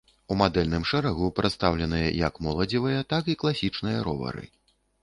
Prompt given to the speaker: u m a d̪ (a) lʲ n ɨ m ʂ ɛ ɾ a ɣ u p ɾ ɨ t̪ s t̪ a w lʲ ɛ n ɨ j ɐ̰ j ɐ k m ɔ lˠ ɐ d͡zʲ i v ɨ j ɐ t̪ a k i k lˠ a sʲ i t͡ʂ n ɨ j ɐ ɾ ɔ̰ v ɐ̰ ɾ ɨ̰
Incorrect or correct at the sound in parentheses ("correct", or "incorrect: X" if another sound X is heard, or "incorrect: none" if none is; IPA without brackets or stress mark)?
incorrect: ɛ